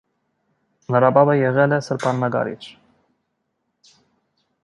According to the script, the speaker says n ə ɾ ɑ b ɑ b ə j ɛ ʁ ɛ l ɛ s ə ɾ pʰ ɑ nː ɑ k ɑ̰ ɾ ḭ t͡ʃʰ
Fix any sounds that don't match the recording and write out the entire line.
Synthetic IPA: n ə ɾ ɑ b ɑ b ə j ɛ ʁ ɛ l ɛ s ə ɾ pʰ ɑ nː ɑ ɡ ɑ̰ ɾ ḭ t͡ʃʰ